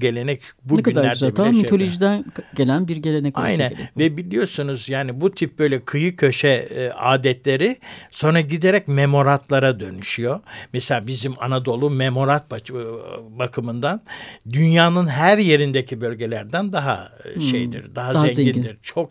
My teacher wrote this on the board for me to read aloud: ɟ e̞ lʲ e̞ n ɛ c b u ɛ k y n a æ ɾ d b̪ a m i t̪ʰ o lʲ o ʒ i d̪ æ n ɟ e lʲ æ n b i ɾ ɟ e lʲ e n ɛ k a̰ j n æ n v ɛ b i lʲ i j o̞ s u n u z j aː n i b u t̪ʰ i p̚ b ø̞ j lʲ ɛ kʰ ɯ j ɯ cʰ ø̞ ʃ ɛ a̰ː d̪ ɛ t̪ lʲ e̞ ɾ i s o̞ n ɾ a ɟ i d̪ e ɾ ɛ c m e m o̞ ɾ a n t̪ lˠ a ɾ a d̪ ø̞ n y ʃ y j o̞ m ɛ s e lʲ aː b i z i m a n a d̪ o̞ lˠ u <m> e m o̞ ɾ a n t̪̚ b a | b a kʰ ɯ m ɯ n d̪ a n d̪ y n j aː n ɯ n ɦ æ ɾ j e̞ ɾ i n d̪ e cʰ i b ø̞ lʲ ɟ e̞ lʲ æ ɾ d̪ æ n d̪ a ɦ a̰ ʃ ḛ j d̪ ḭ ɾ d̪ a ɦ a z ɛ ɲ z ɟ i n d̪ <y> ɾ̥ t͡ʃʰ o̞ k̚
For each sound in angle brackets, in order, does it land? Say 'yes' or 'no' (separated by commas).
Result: yes, no